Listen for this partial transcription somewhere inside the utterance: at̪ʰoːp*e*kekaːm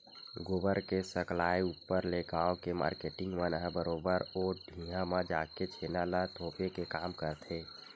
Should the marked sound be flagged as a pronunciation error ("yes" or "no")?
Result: no